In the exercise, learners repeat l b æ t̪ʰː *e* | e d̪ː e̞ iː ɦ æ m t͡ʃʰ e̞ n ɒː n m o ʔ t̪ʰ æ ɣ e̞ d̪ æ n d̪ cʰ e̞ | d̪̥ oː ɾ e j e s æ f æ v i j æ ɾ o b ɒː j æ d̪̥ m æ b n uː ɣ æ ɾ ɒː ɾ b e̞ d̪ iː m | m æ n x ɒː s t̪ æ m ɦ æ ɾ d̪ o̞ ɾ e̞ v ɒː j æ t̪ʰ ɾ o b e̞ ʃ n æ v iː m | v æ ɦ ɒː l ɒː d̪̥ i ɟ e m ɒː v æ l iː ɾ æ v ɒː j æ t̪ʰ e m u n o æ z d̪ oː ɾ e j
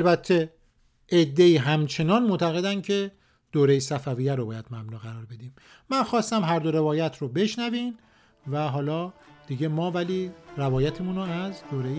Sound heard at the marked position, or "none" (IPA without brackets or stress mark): e